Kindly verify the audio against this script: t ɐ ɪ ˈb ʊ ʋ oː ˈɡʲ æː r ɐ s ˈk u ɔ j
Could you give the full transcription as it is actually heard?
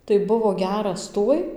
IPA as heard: t ɐ ɪ ˈb ʊ ʋ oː ˈɡʲ æː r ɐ s ˈt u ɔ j